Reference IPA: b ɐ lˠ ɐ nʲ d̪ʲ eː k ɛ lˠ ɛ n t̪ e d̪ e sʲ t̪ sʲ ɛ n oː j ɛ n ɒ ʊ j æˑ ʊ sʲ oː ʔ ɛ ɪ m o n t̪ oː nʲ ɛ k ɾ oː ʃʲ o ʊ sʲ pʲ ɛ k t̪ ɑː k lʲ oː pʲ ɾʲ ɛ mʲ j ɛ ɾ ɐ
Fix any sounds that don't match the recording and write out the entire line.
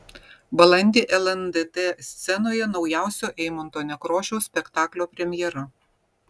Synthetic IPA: b ɐ lˠ ɐ nʲ d̪ʲ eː ʔ ɛ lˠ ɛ n d̪ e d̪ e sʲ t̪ sʲ ɛ n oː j ɛ n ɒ ʊ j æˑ ʊ sʲ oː ʔ ɛ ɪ m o n t̪ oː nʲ ɛ k ɾ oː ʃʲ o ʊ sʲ pʲ ɛ k t̪ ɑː k lʲ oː pʲ ɾʲ ɛ mʲ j ɛ ɾ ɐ